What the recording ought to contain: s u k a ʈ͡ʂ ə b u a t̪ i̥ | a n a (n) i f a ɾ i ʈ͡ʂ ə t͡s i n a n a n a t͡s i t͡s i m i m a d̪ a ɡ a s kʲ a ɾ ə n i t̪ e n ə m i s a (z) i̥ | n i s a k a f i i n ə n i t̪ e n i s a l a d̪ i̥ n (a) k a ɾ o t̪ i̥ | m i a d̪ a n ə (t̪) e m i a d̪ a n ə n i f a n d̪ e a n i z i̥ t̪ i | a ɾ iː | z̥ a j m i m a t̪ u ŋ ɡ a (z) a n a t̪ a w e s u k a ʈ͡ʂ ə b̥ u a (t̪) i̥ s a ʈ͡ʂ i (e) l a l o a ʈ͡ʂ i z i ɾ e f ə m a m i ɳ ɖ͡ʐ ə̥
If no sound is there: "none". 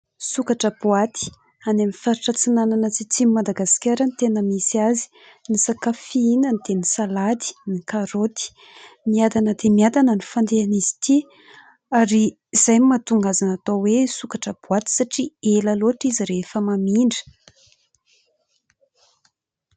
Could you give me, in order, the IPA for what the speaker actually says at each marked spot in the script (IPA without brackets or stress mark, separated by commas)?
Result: m, z, i, d̪, z, t̪, e